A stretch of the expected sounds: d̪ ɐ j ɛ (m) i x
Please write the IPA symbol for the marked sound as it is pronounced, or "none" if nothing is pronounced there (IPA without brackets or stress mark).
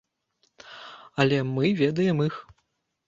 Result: m